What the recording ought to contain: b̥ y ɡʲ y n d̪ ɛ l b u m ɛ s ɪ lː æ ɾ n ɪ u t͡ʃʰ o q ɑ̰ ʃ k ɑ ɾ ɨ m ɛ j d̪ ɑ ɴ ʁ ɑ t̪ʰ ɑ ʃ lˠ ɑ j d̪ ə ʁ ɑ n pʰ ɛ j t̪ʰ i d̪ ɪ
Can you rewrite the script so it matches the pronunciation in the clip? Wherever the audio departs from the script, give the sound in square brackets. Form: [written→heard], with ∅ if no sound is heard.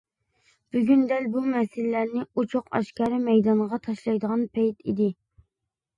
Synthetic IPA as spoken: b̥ y ɡʲ y n d̪ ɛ l b u m ɛ s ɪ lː æ ɾ n ɪ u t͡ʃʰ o q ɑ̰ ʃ k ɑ ɾ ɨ m ɛ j d̪ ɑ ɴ ʁ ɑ t̪ʰ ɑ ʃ lˠ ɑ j d̪ ə ʁ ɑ n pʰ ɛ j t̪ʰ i d̪ ɪ